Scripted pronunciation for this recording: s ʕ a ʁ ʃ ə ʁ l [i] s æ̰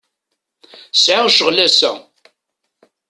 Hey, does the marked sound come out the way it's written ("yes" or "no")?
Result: no